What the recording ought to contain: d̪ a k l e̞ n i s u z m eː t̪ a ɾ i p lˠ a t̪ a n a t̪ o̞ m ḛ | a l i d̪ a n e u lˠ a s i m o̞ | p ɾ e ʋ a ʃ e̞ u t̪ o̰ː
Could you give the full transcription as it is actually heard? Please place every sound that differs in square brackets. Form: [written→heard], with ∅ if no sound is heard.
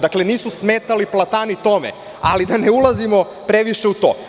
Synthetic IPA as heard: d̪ a k l e̞ n [i→iː] s u [z→s] m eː t̪ a [ɾ→l] i p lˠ a t̪ a n [a→i] t̪ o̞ m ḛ | a l i d̪ a n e u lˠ a [s→z] i m o̞ | p ɾ e ʋ [a→i] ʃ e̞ u t̪ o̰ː